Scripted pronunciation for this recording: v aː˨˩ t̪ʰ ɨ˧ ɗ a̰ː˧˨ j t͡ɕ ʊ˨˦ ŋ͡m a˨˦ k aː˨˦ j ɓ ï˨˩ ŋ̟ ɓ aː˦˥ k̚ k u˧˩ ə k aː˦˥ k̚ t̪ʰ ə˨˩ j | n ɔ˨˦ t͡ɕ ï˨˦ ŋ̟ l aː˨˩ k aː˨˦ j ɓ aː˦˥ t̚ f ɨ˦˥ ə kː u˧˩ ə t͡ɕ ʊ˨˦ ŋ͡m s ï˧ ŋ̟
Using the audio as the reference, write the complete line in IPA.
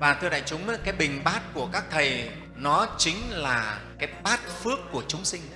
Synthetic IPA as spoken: v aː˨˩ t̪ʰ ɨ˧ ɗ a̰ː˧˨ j t͡ɕ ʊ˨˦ ŋ͡m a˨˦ k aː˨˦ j ɓ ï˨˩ ŋ̟ ɓ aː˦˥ t̚ k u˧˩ ə k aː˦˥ k̚ t̪ʰ ə˨˩ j | n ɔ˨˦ t͡ɕ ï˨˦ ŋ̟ l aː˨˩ k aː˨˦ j ɓ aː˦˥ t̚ f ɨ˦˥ ə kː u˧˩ ə t͡ɕ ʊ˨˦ ŋ͡m s ï˧ ŋ̟